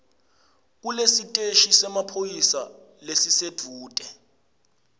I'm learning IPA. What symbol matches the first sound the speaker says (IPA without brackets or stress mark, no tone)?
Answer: k̬